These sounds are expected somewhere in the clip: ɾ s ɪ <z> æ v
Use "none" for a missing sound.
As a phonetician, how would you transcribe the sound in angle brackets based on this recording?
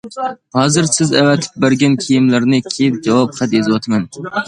z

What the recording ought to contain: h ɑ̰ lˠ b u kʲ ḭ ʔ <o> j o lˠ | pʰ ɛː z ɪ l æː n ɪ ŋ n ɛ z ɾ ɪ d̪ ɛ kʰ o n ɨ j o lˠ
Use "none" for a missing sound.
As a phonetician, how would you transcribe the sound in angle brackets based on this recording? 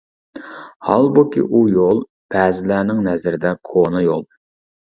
u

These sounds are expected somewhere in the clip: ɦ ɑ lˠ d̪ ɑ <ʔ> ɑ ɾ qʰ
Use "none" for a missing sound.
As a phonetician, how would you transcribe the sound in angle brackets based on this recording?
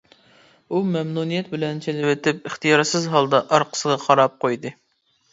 ʔ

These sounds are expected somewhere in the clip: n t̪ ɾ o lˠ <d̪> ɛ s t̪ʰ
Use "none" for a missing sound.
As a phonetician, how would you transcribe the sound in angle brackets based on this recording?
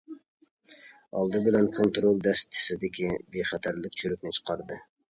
d̪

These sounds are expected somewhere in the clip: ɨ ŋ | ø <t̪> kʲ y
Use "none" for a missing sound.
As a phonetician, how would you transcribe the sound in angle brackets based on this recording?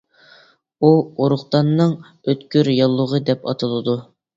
t̪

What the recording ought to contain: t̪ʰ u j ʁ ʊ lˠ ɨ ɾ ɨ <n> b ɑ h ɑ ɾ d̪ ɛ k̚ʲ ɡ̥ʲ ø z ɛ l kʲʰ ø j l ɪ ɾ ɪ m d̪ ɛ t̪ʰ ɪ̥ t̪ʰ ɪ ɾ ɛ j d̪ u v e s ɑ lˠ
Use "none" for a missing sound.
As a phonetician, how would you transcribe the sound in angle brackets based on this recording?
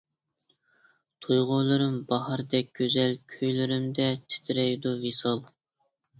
m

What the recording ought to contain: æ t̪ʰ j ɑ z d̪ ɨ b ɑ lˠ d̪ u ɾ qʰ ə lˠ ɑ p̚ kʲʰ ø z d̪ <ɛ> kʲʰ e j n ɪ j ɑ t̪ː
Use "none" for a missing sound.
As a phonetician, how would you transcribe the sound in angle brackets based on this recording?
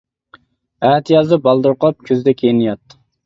ɛ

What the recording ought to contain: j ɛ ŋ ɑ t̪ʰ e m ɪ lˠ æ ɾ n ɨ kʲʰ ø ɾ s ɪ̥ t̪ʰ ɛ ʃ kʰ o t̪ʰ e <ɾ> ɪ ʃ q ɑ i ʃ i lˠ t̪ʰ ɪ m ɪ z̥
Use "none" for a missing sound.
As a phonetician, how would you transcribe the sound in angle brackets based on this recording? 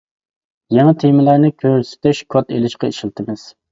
l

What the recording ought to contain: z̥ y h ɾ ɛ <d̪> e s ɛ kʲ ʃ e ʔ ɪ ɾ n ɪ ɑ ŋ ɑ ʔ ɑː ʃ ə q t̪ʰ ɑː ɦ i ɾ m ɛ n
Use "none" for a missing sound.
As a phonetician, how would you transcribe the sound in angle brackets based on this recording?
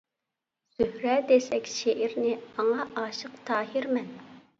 d̪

